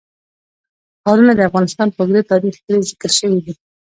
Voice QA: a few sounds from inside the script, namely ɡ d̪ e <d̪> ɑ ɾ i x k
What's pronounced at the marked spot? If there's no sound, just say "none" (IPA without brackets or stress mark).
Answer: t̪